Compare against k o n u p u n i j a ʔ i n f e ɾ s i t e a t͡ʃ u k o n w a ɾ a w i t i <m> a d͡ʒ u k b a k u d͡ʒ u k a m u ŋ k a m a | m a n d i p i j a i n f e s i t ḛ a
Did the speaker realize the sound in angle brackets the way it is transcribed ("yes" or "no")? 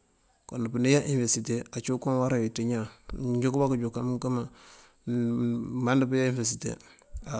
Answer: no